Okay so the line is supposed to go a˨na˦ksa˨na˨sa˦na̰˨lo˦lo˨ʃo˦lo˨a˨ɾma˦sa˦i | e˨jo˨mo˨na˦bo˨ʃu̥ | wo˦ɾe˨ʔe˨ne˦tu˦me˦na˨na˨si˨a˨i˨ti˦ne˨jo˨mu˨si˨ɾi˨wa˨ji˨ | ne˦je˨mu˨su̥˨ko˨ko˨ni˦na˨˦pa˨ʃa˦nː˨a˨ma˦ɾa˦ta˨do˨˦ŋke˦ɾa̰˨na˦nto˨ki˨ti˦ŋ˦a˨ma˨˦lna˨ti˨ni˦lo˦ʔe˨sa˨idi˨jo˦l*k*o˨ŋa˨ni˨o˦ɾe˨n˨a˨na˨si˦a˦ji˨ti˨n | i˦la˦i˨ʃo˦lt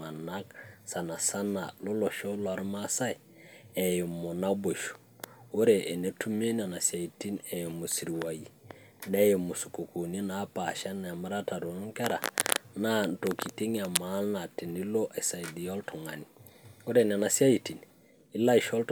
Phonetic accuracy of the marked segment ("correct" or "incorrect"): incorrect